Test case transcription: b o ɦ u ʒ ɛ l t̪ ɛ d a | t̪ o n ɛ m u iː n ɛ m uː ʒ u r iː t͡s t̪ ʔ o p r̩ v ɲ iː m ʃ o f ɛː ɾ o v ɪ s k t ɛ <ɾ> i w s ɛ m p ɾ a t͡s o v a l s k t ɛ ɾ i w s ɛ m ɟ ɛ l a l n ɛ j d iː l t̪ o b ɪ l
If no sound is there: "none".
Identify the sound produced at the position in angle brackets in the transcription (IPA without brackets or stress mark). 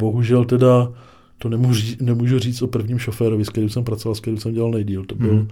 ɾ